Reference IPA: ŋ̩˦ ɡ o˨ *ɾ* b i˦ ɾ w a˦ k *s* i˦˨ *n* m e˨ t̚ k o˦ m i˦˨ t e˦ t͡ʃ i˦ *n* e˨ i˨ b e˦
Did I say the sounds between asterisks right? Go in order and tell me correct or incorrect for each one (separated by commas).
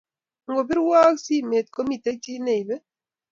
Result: incorrect, correct, incorrect, correct